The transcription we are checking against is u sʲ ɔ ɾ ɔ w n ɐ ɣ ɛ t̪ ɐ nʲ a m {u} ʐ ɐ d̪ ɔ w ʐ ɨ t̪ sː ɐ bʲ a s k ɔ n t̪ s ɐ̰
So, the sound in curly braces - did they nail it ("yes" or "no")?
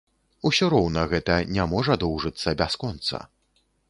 no